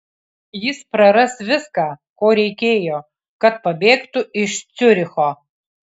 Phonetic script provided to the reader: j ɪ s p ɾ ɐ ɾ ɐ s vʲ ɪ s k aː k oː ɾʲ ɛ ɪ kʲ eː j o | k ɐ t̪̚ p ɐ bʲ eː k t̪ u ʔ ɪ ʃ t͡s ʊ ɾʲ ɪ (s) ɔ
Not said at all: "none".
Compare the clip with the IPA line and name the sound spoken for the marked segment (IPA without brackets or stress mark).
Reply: x